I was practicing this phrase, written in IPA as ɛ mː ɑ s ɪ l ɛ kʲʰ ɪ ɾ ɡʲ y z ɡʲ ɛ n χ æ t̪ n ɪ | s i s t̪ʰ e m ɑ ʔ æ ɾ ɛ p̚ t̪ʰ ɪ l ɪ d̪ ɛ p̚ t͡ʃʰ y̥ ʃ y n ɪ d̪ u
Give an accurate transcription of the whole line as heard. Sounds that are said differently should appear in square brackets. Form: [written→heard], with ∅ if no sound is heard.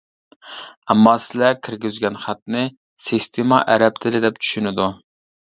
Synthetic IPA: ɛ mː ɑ s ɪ l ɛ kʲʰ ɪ ɾ ɡʲ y z ɡʲ ɛ n χ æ t̪ n ɪ | s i s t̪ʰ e m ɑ ʔ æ ɾ ɛ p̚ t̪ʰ ɪ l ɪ d̪ ɛ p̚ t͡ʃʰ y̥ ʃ y n ɪ d̪ u